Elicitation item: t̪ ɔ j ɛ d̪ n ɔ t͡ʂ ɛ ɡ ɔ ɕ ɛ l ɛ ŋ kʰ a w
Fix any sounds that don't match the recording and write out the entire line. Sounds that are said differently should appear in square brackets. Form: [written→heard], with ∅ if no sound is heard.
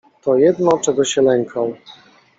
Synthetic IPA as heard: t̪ ɔ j ɛ d̪ n ɔ t͡ʂ ɛ ɡ ɔ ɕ ɛ l ɛ ŋ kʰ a w